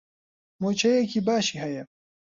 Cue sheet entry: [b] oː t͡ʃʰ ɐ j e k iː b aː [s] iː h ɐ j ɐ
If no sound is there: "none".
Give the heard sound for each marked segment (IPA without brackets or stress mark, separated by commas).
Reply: m, ʃ